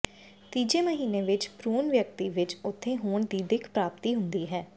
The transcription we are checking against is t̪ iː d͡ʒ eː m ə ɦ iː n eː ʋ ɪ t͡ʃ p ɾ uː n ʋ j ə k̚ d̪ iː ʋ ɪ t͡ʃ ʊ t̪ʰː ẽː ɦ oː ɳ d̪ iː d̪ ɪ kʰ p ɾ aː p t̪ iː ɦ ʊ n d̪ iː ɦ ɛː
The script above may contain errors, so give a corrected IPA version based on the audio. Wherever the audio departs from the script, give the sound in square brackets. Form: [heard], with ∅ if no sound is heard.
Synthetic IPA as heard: t̪ iː d͡ʒ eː m ə ɦ iː n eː ʋ ɪ t͡ʃ p ɾ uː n ʋ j ə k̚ [t̪] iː ʋ ɪ t͡ʃ ʊ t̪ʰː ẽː ɦ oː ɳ d̪ iː d̪ ɪ kʰ p ɾ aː p t̪ iː ɦ ʊ n d̪ iː ɦ ɛː